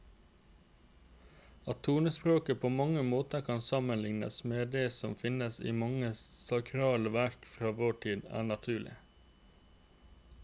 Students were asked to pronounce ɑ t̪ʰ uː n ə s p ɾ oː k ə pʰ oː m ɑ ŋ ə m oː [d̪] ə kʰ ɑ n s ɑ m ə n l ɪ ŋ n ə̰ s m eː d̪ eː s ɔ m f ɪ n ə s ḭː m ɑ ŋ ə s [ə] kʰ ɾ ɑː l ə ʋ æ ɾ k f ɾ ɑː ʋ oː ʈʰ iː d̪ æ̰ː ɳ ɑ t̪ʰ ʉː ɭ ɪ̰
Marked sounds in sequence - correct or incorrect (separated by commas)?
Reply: incorrect, incorrect